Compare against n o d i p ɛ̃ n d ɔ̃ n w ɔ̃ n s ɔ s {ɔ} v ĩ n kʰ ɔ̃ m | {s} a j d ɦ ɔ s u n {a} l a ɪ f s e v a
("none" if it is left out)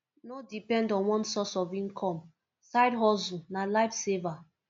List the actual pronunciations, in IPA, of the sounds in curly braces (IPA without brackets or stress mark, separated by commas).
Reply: ɔ, s, a